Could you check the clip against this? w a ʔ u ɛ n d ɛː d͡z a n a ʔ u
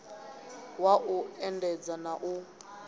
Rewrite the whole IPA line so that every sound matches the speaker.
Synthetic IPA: w a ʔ u ɛ n d ɛ d͡z a n a ʔ u